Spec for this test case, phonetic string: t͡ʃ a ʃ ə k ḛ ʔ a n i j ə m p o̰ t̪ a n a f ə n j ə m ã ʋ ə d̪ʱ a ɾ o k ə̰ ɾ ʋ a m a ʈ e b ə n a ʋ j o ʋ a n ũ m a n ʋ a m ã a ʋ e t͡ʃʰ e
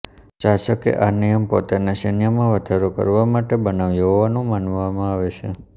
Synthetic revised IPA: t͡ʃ a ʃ ə k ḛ ʔ a n i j ə m p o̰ t̪ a n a ʃ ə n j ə m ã ʋ ə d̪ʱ a ɾ o k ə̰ ɾ ʋ a m a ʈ e b ə n a ʋ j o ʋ a n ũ m a n ʋ a m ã a ʋ e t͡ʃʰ e